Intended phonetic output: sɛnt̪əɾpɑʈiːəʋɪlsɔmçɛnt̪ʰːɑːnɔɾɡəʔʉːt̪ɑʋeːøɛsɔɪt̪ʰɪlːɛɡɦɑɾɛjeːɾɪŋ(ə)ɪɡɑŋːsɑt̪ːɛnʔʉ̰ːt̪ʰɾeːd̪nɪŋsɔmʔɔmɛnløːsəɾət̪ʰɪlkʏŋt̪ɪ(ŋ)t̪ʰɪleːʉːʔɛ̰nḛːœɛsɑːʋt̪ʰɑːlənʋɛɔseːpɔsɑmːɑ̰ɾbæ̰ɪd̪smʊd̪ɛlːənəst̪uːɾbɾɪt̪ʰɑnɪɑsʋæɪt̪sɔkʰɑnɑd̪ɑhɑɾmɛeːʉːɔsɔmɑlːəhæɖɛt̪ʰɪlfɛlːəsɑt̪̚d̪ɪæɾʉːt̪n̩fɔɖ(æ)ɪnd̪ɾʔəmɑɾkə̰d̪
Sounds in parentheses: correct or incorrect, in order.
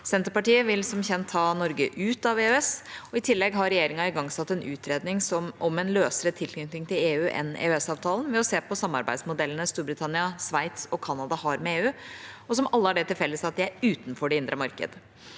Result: incorrect, correct, incorrect

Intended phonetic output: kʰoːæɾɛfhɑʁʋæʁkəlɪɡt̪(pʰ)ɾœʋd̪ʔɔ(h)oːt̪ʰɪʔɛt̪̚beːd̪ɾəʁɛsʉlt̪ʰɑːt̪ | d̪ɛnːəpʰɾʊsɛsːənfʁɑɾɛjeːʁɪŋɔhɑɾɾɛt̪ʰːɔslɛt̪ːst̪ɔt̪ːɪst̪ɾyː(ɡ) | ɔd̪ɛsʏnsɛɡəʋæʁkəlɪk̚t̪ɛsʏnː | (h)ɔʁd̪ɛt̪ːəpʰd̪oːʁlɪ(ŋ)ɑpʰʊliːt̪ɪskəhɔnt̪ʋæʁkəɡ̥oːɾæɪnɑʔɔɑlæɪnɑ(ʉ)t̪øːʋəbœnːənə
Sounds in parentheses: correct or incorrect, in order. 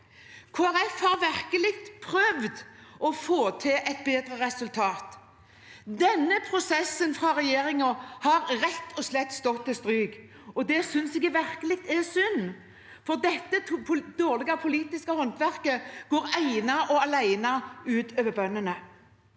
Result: correct, incorrect, correct, incorrect, incorrect, incorrect

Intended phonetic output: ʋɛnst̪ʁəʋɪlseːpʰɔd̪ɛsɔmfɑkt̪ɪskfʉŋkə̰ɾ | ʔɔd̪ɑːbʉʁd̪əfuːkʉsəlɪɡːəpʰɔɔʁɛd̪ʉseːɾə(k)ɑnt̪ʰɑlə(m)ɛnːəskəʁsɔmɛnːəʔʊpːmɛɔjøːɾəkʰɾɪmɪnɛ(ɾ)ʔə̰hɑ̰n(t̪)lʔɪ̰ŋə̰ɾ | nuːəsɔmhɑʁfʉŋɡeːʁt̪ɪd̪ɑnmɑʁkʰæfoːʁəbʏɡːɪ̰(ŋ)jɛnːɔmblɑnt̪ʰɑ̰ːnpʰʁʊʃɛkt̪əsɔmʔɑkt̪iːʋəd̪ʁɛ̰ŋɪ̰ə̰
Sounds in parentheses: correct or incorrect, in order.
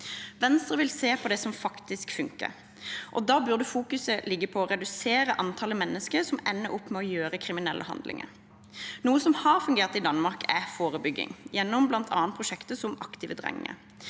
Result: incorrect, correct, incorrect, incorrect, correct

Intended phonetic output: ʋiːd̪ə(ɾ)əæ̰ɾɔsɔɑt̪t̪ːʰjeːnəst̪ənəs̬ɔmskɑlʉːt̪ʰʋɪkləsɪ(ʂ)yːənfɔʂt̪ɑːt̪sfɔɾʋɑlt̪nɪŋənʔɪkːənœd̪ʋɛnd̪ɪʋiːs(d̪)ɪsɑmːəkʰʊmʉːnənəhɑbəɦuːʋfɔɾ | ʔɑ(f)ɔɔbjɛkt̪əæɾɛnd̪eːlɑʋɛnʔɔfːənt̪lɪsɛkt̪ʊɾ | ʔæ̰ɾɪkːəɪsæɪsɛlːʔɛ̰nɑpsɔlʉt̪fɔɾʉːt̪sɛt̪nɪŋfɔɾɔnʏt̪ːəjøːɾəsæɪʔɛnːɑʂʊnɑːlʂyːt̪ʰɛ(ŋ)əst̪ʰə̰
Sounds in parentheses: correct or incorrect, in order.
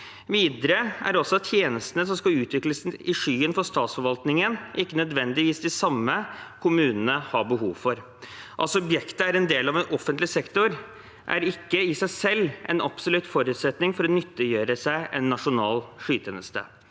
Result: correct, correct, correct, incorrect, incorrect

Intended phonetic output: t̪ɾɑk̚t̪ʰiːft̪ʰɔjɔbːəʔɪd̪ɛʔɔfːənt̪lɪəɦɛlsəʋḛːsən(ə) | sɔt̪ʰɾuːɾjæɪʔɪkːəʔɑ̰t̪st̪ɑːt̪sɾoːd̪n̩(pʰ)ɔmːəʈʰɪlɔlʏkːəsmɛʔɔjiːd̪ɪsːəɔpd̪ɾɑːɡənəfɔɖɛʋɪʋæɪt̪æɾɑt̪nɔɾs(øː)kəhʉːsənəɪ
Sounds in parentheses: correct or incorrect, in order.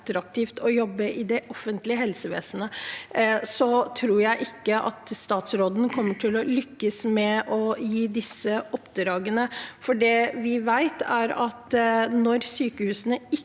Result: correct, incorrect, incorrect

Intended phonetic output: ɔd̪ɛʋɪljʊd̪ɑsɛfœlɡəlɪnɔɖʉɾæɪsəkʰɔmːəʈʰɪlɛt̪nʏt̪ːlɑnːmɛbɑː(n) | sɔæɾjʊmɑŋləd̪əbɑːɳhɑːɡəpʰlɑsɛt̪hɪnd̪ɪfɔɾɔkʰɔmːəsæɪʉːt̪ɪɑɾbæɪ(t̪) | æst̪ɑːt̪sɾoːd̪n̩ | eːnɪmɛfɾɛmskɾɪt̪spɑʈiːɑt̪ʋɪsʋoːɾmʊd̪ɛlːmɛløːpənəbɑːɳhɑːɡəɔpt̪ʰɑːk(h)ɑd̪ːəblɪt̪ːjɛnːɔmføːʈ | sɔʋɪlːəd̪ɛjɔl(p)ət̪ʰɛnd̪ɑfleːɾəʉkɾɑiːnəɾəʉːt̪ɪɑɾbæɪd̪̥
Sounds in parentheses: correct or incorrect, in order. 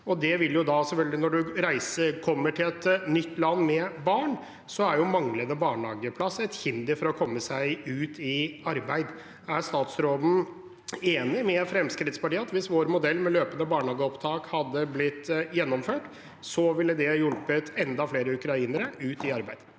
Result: incorrect, incorrect, correct, correct

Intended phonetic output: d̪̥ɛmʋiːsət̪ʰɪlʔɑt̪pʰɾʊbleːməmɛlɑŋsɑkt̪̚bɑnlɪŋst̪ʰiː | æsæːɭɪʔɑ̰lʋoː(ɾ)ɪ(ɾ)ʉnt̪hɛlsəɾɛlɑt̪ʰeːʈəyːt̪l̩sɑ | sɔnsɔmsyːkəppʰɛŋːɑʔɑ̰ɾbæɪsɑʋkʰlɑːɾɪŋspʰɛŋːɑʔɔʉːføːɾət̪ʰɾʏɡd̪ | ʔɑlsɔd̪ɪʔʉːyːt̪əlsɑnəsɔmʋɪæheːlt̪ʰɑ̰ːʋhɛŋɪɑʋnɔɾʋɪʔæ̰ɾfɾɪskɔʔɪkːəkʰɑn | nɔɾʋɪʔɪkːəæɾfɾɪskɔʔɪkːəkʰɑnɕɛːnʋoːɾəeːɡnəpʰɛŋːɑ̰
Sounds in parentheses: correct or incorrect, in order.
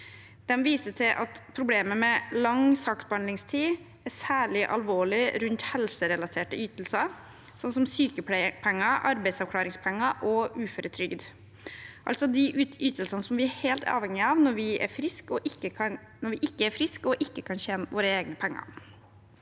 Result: incorrect, correct

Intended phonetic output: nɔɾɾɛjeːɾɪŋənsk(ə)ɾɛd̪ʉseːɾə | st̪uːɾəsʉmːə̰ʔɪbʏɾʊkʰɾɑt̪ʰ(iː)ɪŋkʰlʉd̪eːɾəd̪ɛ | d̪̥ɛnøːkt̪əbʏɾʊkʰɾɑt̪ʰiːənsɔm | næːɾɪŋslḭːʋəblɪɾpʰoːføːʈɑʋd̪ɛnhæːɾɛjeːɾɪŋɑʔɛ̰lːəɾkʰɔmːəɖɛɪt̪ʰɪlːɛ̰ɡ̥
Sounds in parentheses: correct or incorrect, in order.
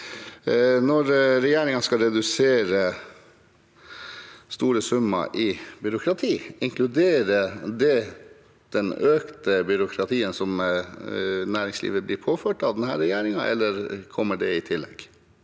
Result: incorrect, correct

